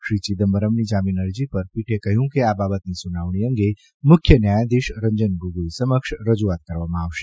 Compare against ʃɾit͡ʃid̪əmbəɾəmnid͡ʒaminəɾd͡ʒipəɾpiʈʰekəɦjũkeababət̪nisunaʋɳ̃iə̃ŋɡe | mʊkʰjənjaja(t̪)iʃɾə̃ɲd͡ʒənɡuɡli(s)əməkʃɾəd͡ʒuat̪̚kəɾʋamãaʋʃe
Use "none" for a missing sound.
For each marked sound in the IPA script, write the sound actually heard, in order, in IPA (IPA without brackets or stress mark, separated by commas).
d̪, s